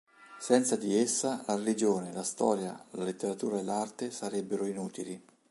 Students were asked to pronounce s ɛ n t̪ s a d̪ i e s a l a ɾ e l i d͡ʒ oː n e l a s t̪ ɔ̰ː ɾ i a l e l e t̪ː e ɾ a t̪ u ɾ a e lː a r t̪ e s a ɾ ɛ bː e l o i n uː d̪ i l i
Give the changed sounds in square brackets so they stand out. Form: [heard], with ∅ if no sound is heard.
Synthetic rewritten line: s ɛ n t̪ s a d̪ i e [sː] a l a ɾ e l i d͡ʒ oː n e l a s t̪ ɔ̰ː ɾ [j] a l [a] l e t̪ː e ɾ a t̪ [uː] ɾ a e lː a r t̪ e s a ɾ ɛ bː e [ɾ] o i n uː [t̪] i l i